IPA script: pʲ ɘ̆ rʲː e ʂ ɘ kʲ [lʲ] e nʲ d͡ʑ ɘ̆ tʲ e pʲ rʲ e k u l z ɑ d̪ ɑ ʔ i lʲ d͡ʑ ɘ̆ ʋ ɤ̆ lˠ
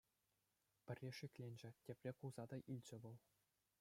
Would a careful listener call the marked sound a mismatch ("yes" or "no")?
no